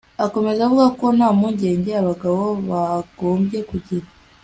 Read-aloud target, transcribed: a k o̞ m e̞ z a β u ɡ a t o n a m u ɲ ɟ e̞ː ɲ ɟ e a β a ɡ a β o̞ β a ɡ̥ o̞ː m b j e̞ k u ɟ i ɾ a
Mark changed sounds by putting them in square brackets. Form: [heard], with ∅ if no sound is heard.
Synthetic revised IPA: a k o̞ m e̞ z a β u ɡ a [k] o n a m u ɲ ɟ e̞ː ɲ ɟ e a β a ɡ a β o̞ β a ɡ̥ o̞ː m b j e̞ k u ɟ i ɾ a